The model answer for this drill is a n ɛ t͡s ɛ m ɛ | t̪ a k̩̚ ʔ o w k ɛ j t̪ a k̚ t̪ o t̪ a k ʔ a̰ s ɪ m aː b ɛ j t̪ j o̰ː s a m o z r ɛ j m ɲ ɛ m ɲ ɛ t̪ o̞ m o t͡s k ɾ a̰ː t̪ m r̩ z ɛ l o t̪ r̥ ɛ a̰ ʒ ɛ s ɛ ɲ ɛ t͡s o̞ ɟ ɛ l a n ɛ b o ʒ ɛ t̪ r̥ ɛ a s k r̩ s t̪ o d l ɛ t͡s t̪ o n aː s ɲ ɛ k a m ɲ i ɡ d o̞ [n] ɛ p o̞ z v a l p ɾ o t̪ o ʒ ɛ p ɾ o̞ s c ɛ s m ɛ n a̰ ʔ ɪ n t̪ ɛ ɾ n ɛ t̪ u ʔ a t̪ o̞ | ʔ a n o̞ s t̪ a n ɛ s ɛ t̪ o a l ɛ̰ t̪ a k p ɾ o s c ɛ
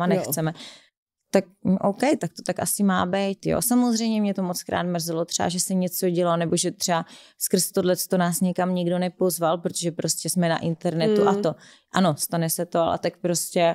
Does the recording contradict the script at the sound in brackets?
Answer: no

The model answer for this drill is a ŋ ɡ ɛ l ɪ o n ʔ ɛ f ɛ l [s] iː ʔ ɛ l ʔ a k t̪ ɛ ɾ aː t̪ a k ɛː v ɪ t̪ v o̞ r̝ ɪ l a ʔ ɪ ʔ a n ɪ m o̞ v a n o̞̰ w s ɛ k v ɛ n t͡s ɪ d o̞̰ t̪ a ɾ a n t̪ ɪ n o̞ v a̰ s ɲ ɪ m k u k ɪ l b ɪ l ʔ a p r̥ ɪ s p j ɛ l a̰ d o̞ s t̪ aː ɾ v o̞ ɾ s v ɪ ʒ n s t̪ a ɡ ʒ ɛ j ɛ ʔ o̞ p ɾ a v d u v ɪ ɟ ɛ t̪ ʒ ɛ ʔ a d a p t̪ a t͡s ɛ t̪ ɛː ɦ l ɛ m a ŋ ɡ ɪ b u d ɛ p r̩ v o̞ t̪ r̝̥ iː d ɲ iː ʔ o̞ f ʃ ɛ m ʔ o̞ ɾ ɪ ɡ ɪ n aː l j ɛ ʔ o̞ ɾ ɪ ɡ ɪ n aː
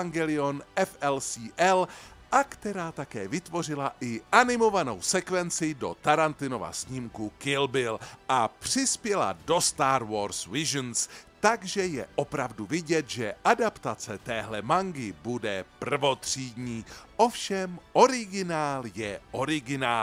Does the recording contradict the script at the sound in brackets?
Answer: no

